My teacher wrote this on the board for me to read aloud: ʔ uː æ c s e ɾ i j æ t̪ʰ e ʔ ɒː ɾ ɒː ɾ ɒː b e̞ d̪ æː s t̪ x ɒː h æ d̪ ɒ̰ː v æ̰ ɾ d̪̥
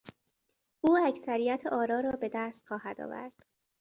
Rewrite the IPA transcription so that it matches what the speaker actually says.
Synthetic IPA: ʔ uː æ c s æ ɾ i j æ t̪ʰ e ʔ ɒː ɾ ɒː ɾ ɒː b e̞ d̪ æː s t̪ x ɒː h æ d̪ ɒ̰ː v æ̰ ɾ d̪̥